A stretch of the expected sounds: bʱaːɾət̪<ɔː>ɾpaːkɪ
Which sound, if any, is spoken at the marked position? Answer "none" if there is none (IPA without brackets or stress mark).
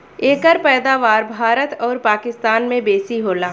ɔː